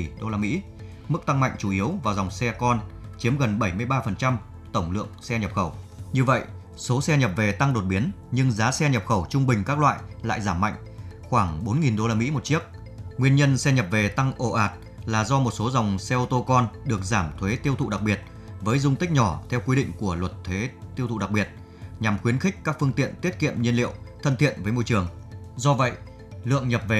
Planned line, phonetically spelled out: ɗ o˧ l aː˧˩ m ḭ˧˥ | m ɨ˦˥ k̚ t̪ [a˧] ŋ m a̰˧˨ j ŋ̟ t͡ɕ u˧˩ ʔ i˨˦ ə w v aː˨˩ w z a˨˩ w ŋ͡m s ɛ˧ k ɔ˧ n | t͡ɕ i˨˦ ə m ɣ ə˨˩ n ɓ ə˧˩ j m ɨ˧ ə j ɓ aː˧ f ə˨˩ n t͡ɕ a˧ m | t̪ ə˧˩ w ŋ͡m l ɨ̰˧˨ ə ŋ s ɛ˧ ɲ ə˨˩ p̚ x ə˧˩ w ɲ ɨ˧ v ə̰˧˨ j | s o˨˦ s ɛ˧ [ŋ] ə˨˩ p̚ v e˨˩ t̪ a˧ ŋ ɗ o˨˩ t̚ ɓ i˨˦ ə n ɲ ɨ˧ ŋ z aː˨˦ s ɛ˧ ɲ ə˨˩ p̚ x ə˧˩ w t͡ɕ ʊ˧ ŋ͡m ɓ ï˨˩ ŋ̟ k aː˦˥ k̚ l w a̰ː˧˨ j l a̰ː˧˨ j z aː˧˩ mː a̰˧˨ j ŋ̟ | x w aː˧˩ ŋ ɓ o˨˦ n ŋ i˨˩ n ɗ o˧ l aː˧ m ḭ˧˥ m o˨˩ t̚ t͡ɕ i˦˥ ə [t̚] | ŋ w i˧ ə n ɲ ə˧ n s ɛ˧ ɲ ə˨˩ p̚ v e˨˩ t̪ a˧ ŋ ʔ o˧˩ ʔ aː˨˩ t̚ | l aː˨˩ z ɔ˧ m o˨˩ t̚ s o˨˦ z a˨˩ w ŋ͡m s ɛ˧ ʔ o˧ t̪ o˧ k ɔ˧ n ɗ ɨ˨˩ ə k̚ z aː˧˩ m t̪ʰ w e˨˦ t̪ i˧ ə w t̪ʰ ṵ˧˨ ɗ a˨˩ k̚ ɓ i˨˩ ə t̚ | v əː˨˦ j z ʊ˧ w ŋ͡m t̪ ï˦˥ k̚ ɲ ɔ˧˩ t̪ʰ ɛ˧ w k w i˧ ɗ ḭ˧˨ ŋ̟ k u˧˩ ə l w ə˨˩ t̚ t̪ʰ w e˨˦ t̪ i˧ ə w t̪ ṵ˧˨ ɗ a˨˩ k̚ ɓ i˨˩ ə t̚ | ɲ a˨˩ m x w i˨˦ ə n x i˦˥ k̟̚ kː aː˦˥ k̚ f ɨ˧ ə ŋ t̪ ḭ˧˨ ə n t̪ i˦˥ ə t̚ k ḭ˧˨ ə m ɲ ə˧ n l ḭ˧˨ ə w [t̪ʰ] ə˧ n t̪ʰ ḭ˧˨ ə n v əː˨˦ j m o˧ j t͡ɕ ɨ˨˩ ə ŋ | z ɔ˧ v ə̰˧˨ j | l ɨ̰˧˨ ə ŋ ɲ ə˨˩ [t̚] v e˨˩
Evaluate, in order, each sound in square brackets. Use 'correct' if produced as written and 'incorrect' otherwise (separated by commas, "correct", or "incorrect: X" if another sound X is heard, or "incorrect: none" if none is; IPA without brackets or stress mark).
correct, incorrect: ɲ, incorrect: k̚, correct, incorrect: p̚